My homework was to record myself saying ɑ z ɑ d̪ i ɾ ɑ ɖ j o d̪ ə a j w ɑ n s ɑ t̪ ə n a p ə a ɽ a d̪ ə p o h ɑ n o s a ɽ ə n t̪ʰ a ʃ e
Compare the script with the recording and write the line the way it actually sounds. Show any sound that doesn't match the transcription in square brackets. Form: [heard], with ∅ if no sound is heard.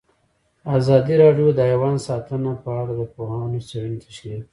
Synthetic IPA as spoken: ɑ z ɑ d̪ i ɾ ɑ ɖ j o d̪ ə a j w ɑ n s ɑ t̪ ə n a p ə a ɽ a d̪ ə p o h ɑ n o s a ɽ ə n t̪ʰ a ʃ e